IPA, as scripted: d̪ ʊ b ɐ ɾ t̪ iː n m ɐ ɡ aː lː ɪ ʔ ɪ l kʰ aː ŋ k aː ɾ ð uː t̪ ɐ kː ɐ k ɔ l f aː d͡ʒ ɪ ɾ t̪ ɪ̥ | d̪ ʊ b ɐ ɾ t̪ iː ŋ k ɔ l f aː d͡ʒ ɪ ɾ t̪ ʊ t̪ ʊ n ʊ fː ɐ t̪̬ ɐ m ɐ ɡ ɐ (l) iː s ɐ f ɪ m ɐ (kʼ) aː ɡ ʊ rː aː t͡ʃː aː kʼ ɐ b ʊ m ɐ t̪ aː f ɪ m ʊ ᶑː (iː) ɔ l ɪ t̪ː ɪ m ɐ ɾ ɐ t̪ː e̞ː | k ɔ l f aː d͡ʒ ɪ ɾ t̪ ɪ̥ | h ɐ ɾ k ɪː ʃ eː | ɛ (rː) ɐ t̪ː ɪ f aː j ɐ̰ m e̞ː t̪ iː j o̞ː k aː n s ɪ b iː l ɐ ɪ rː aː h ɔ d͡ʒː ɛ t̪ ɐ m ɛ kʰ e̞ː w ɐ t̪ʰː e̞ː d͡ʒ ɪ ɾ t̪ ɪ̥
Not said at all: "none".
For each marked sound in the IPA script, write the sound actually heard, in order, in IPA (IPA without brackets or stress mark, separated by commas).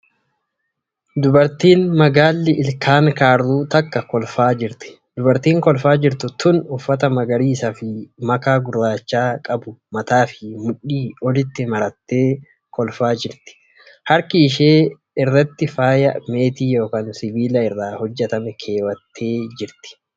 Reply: ɾ, k, iː, rː